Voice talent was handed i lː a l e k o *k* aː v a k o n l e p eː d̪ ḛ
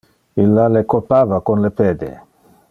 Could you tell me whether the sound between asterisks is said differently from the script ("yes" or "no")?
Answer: yes